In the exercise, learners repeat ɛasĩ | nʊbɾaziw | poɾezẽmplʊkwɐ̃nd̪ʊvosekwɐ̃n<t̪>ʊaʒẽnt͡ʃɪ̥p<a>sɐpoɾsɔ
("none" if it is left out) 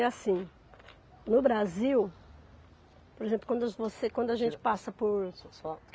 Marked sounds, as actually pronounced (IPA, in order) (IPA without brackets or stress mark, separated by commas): d̪, a